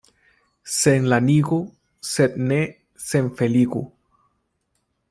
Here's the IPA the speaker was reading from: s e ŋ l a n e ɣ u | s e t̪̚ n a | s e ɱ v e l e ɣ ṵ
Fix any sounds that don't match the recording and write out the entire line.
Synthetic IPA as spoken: s e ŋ l a n i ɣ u | s e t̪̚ n e | s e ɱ f e l i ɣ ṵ